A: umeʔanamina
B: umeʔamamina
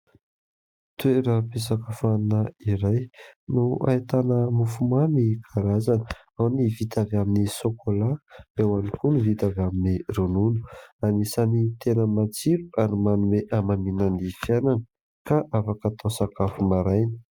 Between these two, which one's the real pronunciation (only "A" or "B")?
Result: B